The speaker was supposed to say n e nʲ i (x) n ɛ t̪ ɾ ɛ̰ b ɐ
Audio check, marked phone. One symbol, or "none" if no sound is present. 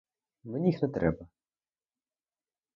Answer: x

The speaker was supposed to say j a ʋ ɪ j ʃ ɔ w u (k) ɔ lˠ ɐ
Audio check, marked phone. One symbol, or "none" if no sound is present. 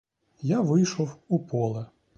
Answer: p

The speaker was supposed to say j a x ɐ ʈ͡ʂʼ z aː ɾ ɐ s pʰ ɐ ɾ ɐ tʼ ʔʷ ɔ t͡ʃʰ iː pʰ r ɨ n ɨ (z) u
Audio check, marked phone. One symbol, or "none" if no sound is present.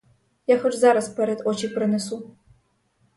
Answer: s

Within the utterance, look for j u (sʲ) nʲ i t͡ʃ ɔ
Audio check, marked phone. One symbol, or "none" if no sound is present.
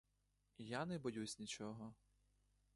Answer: sʲ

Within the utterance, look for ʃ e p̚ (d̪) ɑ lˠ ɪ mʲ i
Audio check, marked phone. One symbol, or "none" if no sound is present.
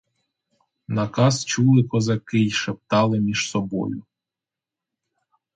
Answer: t̪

